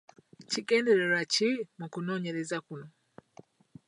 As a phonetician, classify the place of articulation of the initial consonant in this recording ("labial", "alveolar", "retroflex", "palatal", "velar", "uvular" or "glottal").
palatal